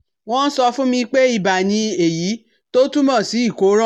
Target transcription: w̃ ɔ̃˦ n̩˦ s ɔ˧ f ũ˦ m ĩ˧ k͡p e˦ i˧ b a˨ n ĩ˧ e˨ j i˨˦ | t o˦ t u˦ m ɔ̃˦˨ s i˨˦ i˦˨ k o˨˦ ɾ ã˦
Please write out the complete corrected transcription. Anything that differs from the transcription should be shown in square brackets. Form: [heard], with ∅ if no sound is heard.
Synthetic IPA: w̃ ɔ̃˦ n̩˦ s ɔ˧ f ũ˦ m ĩ˧ k͡p e˦ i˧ b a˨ n ĩ˧ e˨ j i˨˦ | t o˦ t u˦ m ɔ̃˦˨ s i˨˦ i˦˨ k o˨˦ ɾ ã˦